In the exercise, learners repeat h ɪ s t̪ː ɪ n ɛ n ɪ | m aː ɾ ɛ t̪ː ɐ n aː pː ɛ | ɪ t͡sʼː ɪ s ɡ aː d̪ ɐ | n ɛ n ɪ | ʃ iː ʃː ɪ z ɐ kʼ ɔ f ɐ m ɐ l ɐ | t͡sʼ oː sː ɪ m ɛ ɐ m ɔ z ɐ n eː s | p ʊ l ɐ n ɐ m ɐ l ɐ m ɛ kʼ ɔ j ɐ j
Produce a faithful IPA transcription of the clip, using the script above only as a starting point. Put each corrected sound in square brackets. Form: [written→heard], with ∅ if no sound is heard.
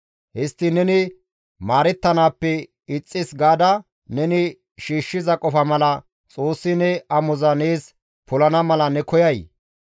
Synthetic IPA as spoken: h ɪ s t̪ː ɪ n ɛ n ɪ | m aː ɾ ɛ t̪ː ɐ n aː pː ɛ | ɪ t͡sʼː ɪ s ɡ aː d̪ ɐ | n ɛ n ɪ | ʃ iː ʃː ɪ z ɐ kʼ ɔ f ɐ m ɐ l ɐ | t͡sʼ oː sː ɪ [m→n] ɛ ɐ m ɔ z ɐ n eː s | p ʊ l ɐ n ɐ m ɐ l ɐ [m→n] ɛ [kʼ→k] ɔ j ɐ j

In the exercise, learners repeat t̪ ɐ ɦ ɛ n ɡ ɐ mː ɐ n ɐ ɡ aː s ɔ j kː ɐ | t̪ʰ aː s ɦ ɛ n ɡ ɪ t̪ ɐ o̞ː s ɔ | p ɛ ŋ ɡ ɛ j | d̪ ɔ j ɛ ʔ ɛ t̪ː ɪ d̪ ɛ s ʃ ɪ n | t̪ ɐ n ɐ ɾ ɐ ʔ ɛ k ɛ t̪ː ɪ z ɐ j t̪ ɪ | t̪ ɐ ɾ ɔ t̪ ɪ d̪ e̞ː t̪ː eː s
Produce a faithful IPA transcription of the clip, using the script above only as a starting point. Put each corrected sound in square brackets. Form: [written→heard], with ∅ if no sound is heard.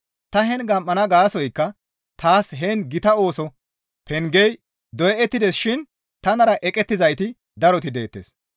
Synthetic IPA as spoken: t̪ ɐ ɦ ɛ n ɡ ɐ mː ɐ n ɐ ɡ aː s ɔ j kː ɐ | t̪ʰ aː s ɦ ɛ n ɡ ɪ t̪ ɐ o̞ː s ɔ | p ɛ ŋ ɡ ɛ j | d̪ ɔ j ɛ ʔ ɛ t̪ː ɪ d̪ ɛ s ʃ ɪ n | t̪ ɐ n ɐ ɾ ɐ ʔ ɛ [k→kʼ] ɛ t̪ː ɪ z ɐ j t̪ ɪ | [t̪→d̪] ɐ ɾ ɔ t̪ ɪ d̪ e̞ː t̪ː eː s

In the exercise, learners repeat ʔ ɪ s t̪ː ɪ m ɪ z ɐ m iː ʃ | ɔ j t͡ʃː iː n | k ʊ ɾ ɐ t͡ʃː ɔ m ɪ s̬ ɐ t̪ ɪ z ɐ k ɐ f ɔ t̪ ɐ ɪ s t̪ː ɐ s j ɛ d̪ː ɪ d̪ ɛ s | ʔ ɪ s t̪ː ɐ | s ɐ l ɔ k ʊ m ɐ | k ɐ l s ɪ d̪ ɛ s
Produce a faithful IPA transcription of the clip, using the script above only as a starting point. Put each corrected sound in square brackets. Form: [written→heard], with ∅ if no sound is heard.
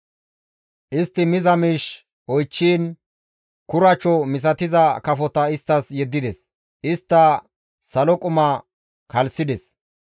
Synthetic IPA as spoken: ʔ ɪ s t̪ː ɪ m ɪ z ɐ m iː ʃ | ɔ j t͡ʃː iː n | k ʊ ɾ ɐ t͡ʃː ɔ m ɪ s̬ ɐ t̪ ɪ z ɐ k ɐ f ɔ t̪ ɐ ɪ s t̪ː ɐ s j ɛ d̪ː ɪ d̪ ɛ s | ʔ ɪ s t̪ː ɐ | s ɐ l ɔ [k→kʼ] ʊ m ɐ | k ɐ l s ɪ d̪ ɛ s

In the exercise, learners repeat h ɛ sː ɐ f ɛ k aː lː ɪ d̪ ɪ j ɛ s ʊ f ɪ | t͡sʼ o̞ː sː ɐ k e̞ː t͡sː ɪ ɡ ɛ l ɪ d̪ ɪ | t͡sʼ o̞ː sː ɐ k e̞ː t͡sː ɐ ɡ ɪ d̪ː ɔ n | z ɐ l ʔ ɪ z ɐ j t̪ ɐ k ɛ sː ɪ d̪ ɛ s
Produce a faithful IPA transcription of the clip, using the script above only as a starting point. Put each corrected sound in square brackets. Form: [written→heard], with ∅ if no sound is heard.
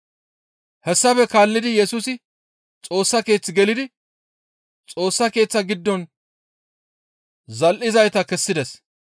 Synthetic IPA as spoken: h ɛ sː ɐ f ɛ k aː lː ɪ d̪ ɪ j ɛ s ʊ [f→s] ɪ | t͡sʼ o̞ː sː ɐ k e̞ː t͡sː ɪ ɡ ɛ l ɪ d̪ ɪ | t͡sʼ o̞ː sː ɐ k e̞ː t͡sː ɐ ɡ ɪ d̪ː ɔ n | z ɐ l ʔ ɪ z ɐ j t̪ ɐ k ɛ sː ɪ d̪ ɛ s

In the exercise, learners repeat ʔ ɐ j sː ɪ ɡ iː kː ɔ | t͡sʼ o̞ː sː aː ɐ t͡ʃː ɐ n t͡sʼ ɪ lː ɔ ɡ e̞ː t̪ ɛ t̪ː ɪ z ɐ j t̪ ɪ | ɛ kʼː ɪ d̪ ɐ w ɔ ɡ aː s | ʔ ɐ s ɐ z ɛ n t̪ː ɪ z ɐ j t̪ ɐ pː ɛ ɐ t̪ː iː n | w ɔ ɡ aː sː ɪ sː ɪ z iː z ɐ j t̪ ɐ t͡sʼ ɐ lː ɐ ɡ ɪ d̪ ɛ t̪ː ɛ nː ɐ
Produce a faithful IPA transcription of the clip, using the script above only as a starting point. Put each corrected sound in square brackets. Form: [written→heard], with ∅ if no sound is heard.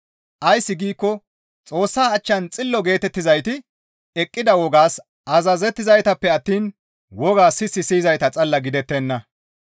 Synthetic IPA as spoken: ʔ ɐ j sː ɪ ɡ iː kː ɔ | t͡sʼ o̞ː sː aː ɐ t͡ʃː ɐ n t͡sʼ ɪ lː ɔ ɡ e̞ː t̪ ɛ t̪ː ɪ z ɐ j t̪ ɪ | ɛ kʼː ɪ d̪ ɐ w ɔ ɡ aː s | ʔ ɐ [s→z] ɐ z ɛ [n→∅] t̪ː ɪ z ɐ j t̪ ɐ pː ɛ ɐ t̪ː iː n | w ɔ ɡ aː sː ɪ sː ɪ [z→s] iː z ɐ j t̪ ɐ t͡sʼ ɐ lː ɐ ɡ ɪ d̪ ɛ t̪ː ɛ nː ɐ

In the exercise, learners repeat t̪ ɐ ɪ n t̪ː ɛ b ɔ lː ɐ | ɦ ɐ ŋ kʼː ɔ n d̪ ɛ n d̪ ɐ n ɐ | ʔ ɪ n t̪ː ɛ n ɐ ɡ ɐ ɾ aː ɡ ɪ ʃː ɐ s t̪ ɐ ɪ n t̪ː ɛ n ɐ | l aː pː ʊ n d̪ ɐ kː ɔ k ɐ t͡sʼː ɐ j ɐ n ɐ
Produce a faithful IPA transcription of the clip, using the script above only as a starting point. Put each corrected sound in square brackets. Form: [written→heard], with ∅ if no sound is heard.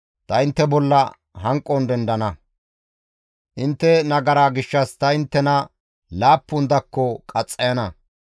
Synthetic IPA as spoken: t̪ ɐ ɪ n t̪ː ɛ b ɔ lː ɐ | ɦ ɐ ŋ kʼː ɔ n d̪ ɛ n d̪ ɐ n ɐ | ʔ ɪ n t̪ː ɛ n ɐ ɡ ɐ ɾ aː ɡ ɪ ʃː ɐ s t̪ ɐ ɪ n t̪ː ɛ n ɐ | l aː pː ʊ n d̪ ɐ kː ɔ [k→kʼ] ɐ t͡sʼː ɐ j ɐ n ɐ

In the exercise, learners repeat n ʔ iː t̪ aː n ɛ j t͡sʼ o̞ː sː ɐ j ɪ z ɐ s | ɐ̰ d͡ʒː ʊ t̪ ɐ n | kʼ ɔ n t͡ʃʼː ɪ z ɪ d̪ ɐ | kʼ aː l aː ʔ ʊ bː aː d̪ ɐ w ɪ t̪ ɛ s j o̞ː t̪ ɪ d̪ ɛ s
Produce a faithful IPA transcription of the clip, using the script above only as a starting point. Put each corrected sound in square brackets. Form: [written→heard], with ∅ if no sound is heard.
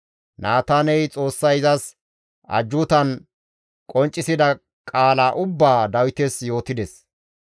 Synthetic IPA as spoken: n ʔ [iː→aː] t̪ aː n ɛ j t͡sʼ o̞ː sː ɐ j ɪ z ɐ s | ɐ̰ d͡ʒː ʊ t̪ ɐ n | kʼ ɔ n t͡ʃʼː ɪ [z→s] ɪ d̪ ɐ | kʼ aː l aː ʔ ʊ bː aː d̪ ɐ w ɪ t̪ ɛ s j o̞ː t̪ ɪ d̪ ɛ s

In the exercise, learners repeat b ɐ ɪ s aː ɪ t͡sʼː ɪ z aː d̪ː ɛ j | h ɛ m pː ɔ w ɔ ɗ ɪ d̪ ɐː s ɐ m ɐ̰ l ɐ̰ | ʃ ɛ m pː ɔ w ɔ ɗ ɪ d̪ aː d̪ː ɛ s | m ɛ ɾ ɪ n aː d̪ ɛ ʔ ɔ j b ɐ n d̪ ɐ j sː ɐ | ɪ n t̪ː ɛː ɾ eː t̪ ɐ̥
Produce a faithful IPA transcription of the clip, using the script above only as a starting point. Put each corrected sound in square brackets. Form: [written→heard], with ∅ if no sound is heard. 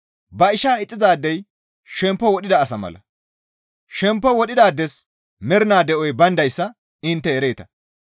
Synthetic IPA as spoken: b ɐ ɪ [s→ʃ] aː ɪ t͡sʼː ɪ z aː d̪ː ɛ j | [h→ʃ] ɛ m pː ɔ w ɔ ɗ ɪ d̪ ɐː s ɐ m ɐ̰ l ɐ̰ | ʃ ɛ m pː ɔ w ɔ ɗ ɪ d̪ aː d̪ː ɛ s | m ɛ ɾ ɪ n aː d̪ ɛ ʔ ɔ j b ɐ n d̪ ɐ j sː ɐ | ɪ n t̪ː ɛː ɾ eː t̪ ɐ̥

